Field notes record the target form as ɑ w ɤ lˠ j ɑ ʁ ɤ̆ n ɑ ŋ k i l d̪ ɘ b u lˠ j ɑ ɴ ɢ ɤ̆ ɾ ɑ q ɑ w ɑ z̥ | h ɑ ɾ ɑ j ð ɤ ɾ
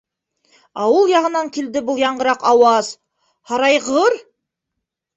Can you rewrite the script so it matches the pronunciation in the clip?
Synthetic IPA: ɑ w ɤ lˠ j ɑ ʁ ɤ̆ n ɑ ŋ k i l d̪ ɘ b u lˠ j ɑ ɴ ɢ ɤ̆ ɾ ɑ q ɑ w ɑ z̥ | h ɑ ɾ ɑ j ʁ ɤ ɾ